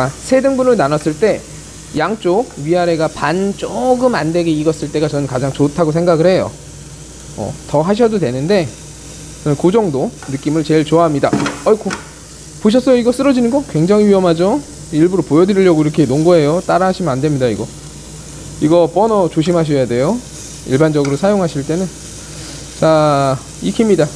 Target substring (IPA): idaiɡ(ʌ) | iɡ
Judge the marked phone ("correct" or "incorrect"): correct